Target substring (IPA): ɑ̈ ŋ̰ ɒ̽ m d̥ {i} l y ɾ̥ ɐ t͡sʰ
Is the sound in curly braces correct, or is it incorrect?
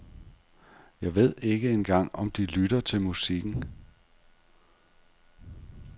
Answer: correct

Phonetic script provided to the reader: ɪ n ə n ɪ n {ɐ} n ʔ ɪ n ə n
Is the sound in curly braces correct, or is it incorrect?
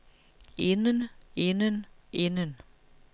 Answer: incorrect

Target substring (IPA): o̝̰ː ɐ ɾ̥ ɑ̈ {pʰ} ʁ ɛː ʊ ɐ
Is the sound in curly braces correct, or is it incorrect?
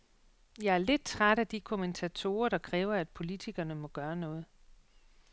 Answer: incorrect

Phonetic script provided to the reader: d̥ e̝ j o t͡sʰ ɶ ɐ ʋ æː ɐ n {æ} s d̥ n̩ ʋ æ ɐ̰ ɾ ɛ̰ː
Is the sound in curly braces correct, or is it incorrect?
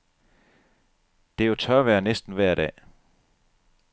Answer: incorrect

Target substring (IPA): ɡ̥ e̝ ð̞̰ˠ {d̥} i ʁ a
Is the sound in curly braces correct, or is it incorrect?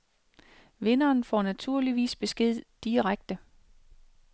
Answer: correct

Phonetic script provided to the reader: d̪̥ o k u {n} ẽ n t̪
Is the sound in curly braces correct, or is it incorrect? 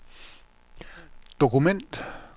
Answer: incorrect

